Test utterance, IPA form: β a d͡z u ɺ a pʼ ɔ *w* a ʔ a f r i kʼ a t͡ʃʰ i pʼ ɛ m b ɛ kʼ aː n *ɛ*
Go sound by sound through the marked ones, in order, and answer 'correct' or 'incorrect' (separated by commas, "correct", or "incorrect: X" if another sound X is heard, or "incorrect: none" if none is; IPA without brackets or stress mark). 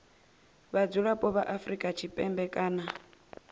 incorrect: β, incorrect: a